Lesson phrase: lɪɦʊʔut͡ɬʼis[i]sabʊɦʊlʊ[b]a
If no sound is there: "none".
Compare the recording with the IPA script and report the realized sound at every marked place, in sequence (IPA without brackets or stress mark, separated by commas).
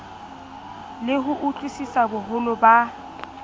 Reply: i, b